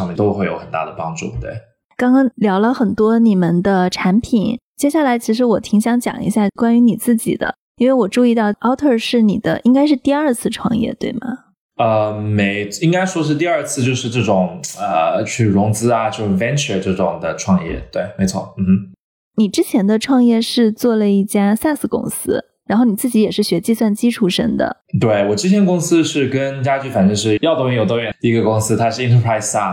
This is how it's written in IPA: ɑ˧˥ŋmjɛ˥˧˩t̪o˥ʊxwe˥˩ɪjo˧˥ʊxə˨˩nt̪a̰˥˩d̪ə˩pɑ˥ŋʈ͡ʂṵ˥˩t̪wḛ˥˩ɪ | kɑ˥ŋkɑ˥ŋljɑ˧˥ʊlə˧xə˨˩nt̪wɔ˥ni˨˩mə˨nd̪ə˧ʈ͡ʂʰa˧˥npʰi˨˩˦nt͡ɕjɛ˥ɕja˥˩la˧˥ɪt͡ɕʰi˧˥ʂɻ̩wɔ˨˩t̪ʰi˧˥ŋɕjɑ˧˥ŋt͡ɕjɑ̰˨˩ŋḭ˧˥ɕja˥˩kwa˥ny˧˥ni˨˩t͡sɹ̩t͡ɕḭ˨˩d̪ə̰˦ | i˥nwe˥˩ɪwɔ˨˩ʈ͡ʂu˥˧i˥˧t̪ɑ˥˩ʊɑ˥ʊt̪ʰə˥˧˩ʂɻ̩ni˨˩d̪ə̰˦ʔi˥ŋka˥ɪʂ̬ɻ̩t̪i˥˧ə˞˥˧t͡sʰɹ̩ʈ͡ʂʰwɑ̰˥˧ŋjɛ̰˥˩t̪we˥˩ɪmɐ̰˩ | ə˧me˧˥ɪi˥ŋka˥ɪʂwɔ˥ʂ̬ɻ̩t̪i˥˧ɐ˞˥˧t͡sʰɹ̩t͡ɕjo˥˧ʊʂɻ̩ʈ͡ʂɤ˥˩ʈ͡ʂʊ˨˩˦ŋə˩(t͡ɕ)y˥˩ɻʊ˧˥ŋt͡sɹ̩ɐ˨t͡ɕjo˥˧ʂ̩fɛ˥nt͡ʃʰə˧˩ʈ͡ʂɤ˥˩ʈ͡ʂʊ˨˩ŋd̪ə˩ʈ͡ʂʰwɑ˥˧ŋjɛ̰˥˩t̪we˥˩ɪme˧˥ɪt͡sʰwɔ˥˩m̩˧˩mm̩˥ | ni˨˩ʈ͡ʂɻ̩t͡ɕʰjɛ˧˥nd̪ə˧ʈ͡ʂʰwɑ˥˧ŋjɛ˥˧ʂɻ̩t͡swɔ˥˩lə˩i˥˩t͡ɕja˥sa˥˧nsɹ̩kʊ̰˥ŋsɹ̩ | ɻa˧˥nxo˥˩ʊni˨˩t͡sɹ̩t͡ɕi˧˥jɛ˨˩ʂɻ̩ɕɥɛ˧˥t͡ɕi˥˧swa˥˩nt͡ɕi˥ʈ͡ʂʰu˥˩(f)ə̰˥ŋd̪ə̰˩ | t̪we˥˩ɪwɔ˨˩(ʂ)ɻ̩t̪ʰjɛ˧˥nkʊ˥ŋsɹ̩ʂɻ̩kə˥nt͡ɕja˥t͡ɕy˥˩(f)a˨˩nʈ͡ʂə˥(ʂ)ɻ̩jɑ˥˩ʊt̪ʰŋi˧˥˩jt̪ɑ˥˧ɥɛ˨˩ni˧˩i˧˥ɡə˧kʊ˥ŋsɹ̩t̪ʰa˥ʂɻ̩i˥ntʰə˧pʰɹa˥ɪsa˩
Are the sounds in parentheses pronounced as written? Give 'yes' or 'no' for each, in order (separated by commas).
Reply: no, no, no, yes, yes